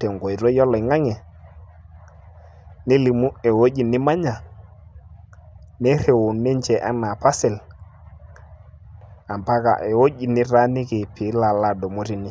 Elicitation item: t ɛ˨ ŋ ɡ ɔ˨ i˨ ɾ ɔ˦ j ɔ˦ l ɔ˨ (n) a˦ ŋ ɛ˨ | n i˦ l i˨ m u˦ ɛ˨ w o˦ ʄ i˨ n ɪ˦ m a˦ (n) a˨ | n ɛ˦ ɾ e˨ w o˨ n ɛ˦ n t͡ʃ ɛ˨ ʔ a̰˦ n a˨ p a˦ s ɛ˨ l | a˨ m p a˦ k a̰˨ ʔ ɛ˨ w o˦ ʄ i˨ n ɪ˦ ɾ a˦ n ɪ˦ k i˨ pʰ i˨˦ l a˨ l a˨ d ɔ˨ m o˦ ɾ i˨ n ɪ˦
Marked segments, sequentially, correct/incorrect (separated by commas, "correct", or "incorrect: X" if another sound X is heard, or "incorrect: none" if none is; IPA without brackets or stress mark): incorrect: ŋ, incorrect: ɲ